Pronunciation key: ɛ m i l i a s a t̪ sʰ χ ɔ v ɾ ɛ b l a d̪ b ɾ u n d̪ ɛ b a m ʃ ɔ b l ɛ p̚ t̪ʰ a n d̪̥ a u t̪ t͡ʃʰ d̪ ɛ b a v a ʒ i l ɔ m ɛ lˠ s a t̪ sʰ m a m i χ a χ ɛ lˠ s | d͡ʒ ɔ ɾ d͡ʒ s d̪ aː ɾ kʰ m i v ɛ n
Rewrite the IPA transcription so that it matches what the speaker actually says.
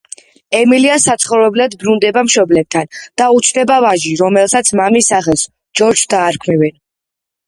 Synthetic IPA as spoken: ɛ m i l i a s a t̪ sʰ χ ɔ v ɾ ɛ b l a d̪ b ɾ u n d̪ ɛ b a m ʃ ɔ b l ɛ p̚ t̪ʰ a n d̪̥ a u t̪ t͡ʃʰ d̪ ɛ b a v a ʒ i ɾ ɔ m ɛ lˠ s a t̪ sʰ m a m i s a χ ɛ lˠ s | d͡ʒ ɔ ɾ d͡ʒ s d̪ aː ɾ kʰ m i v ɛ n

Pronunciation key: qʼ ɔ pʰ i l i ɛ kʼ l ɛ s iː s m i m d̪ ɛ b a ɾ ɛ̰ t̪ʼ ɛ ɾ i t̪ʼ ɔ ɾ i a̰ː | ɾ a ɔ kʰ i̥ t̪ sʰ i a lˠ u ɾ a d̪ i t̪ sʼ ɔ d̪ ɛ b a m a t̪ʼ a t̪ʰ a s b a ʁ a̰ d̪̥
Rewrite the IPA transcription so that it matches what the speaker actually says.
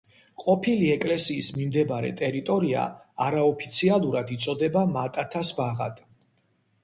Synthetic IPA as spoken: qʼ ɔ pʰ i l i ɛ kʼ l ɛ s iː s m i m d̪ ɛ b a ɾ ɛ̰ t̪ʼ ɛ ɾ i t̪ʼ ɔ ɾ i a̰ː | ɾ a ɔ pʰ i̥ t̪ sʰ i a lˠ u ɾ a d̪ i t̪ sʼ ɔ d̪ ɛ b a m a t̪ʼ a t̪ʰ a s b a ʁ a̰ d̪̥

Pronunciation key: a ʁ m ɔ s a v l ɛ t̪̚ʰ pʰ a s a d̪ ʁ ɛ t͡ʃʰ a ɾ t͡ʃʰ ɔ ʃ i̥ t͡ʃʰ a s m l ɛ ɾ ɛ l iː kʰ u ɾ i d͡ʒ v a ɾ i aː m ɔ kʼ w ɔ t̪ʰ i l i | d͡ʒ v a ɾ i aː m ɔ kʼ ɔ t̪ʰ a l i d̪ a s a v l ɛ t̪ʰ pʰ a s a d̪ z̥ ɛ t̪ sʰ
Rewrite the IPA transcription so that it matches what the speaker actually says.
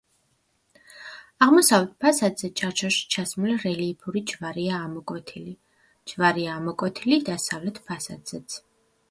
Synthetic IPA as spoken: a ʁ m ɔ s a v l ɛ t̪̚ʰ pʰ a s a d̪ z ɛ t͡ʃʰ a ɾ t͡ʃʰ ɔ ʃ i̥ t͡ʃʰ a s m l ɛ ɾ ɛ l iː pʰ u ɾ i d͡ʒ v a ɾ i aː m ɔ kʼ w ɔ t̪ʰ i l i | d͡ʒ v a ɾ i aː m ɔ kʼ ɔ t̪ʰ i l i d̪ a s a v l ɛ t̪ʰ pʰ a s a d̪ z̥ ɛ t̪ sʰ

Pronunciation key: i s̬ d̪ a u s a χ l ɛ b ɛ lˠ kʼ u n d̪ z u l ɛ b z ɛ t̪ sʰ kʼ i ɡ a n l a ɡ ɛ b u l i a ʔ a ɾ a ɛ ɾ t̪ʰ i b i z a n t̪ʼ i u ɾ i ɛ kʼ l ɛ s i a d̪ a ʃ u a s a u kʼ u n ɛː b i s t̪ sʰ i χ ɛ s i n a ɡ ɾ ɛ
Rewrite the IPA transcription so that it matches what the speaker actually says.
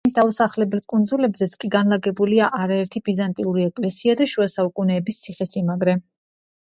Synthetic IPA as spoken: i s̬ d̪ a u s a χ l ɛ b ɛ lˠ kʼ u n d̪ z u l ɛ b z ɛ t̪ sʰ kʼ i ɡ a n l a ɡ ɛ b u l i a ʔ a ɾ a ɛ ɾ t̪ʰ i b i z a n t̪ʼ i u ɾ i ɛ kʼ l ɛ s i a d̪ a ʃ u a s a u kʼ u n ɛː b i s t̪ sʰ i χ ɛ s i m a ɡ ɾ ɛ

